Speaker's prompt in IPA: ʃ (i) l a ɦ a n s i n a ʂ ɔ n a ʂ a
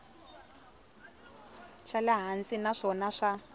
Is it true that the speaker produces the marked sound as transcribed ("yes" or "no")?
no